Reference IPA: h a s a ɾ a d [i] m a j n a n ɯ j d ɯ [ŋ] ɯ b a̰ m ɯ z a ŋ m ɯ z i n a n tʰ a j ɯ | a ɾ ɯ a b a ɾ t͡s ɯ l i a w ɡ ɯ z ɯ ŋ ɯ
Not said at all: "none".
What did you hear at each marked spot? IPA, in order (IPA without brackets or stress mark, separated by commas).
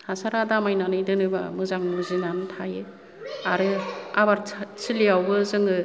a, n